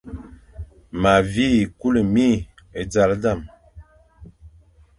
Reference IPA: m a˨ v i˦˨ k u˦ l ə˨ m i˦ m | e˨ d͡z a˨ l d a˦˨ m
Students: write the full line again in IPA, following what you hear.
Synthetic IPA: m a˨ v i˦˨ k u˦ l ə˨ m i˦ | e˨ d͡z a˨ l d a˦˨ m